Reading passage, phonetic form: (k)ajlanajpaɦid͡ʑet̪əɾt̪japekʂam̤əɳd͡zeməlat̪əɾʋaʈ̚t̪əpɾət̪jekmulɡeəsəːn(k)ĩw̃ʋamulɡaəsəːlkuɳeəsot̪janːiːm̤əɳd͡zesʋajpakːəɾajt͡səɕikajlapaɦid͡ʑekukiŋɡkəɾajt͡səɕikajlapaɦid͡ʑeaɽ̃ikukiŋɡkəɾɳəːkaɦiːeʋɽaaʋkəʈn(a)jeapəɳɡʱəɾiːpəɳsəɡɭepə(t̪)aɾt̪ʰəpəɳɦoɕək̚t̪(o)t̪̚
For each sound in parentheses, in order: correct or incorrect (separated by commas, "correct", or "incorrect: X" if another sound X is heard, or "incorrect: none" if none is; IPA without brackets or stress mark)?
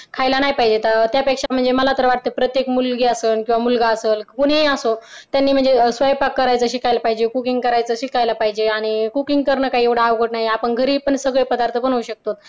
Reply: incorrect: kʰ, correct, correct, incorrect: d̪, correct